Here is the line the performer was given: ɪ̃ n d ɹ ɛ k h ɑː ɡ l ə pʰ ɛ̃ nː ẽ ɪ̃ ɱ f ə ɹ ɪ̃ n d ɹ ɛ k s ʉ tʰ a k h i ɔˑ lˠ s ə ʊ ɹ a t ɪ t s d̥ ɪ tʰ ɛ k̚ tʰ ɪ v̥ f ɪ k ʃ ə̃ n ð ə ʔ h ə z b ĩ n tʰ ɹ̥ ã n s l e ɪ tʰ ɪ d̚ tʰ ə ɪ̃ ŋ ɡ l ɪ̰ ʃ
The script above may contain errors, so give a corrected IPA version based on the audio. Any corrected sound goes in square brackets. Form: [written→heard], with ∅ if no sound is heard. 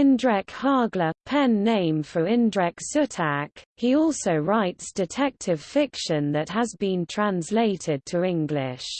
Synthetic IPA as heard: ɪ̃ n d ɹ ɛ k h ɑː ɡ l ə pʰ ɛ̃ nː ẽ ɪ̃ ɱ f ə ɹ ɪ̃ n d ɹ ɛ k s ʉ tʰ a k h i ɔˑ lˠ s ə ʊ ɹ a [t→∅] ɪ t s d̥ ɪ tʰ ɛ k̚ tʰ ɪ v̥ f ɪ k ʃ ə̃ n ð ə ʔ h ə z b ĩ n tʰ ɹ̥ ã n s l e ɪ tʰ ɪ d̚ tʰ ə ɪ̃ ŋ ɡ l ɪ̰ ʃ

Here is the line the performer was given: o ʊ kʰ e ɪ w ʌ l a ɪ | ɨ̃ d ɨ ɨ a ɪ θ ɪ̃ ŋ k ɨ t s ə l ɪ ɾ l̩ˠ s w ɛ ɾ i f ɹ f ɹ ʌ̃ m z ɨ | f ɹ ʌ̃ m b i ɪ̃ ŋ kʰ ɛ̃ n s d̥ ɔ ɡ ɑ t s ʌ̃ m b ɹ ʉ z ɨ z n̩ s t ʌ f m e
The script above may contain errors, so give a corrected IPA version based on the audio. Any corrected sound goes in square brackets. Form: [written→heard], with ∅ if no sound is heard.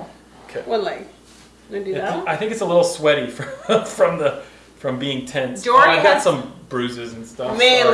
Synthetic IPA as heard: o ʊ kʰ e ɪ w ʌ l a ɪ | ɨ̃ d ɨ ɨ a ɪ θ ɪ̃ ŋ k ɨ t s ə l ɪ ɾ l̩ˠ s w ɛ ɾ i f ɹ f ɹ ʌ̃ m [z→ð] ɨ | f ɹ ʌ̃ m b i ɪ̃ ŋ [kʰ→tʰ] ɛ̃ n s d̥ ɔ ɡ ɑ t s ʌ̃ m b ɹ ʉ z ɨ z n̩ s t ʌ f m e

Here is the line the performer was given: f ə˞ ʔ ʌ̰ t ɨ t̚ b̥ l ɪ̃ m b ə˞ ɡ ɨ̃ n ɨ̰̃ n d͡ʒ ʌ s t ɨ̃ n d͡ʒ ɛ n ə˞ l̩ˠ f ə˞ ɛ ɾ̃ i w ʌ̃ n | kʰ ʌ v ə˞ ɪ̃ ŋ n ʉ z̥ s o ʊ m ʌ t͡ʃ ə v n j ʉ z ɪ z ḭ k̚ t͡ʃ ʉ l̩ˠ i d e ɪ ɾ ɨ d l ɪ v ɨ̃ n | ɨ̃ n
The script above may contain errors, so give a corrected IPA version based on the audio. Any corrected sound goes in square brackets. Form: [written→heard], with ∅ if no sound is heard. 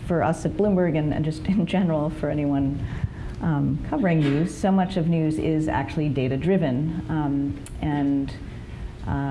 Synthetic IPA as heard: f ə˞ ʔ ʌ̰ [t→s] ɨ t̚ b̥ l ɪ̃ m b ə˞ ɡ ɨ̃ n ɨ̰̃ n d͡ʒ ʌ s t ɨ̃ n d͡ʒ ɛ n ə˞ l̩ˠ f ə˞ ɛ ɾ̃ i w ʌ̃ n | kʰ ʌ v ə˞ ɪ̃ ŋ n ʉ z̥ s o ʊ m ʌ t͡ʃ [ə→ʌ] v n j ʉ z ɪ z [ḭ→æ̰] k̚ t͡ʃ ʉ l̩ˠ i d e ɪ ɾ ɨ d [l→ɹ] ɪ v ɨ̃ n | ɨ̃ n

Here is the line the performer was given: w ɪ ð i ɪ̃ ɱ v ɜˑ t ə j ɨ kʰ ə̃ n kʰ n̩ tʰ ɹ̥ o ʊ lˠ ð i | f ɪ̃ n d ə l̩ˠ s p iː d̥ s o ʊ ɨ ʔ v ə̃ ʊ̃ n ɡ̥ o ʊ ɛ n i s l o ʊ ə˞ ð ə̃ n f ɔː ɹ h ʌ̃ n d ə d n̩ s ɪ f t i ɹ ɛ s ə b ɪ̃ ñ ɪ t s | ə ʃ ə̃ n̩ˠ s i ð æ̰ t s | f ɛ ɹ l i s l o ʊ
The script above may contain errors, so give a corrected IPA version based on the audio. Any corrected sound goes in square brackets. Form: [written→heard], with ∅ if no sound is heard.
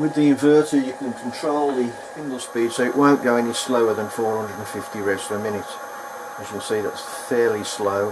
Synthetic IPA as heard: w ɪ ð i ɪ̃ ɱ v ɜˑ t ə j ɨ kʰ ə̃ n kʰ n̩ tʰ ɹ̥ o ʊ lˠ ð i | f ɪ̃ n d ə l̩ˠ s p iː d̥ s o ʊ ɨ ʔ [v→w] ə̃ ʊ̃ n ɡ̥ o ʊ ɛ n i s l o ʊ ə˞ ð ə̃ n f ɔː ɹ h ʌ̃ n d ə d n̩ [s→f] ɪ f t i ɹ ɛ s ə [b→m] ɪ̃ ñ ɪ t s | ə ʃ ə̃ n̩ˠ s i ð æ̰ t s | f ɛ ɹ l i s l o ʊ

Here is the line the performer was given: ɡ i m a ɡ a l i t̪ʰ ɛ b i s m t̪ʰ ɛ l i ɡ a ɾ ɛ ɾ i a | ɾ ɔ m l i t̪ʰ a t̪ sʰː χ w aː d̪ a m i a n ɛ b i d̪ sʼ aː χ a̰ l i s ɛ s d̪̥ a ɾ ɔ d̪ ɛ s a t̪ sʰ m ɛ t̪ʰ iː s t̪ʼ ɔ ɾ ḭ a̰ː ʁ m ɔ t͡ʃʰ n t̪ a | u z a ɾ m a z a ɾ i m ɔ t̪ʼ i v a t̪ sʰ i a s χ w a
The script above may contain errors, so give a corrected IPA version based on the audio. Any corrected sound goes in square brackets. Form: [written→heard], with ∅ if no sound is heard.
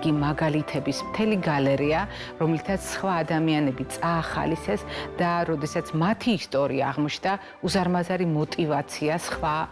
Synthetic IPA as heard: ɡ i m a ɡ a l i t̪ʰ ɛ b i s m t̪ʰ ɛ l i ɡ a [ɾ→l] ɛ ɾ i a | ɾ ɔ m l i t̪ʰ a t̪ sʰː χ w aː d̪ a m i a n ɛ b i [d̪→t̪] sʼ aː χ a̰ l i s ɛ s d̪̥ a ɾ ɔ d̪ ɛ s a t̪ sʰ m [ɛ→a] t̪ʰ iː s t̪ʼ ɔ ɾ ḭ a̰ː ʁ m ɔ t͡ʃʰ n [t̪→d̪] a | u z a ɾ m a z a ɾ i m ɔ t̪ʼ i v a t̪ sʰ i a s χ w a

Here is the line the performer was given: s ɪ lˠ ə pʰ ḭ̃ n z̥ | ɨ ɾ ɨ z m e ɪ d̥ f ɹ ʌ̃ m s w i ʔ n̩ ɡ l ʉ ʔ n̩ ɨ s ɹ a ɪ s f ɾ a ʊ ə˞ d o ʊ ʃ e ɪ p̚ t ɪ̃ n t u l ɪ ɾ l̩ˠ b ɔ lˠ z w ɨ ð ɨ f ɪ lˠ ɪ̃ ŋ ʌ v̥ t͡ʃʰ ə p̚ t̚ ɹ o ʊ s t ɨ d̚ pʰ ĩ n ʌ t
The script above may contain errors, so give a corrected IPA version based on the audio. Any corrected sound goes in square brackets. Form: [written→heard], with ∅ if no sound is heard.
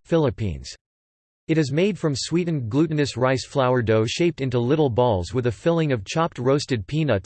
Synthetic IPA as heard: [s→f] ɪ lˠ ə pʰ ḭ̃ n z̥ | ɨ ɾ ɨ z m e ɪ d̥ f ɹ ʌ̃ m s w i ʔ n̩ ɡ l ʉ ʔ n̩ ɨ s ɹ a ɪ s f [ɾ→l] a ʊ ə˞ d o ʊ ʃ e ɪ p̚ t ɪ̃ n t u l ɪ ɾ l̩ˠ b ɔ lˠ z w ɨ ð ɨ f ɪ lˠ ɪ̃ ŋ ʌ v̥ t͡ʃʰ [ə→ɑ] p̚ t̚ ɹ o ʊ s t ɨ d̚ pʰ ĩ n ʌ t

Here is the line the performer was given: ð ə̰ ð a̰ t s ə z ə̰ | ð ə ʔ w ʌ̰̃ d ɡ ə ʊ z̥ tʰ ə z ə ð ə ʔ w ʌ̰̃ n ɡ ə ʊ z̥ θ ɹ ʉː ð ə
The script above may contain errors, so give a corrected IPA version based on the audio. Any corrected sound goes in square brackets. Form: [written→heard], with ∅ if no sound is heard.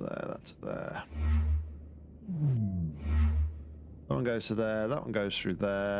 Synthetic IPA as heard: ð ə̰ ð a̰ t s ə [z→ð] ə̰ | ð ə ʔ w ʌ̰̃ [d→n] ɡ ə ʊ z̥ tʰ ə [z→ð] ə ð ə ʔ w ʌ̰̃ n ɡ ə ʊ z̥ θ ɹ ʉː ð ə

